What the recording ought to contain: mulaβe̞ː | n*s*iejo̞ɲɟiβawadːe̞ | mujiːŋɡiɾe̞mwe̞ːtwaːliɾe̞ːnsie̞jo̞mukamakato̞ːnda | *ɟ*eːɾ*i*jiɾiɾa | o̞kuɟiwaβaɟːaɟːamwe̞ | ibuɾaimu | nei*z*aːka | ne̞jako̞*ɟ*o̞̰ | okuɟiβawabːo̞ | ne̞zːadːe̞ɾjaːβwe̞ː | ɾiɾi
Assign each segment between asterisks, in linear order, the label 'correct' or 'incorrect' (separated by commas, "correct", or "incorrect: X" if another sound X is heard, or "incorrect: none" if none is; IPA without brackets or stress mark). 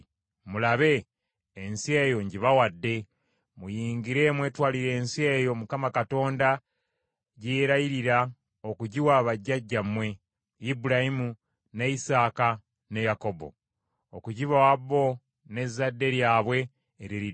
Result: correct, correct, incorrect: a, incorrect: s, incorrect: b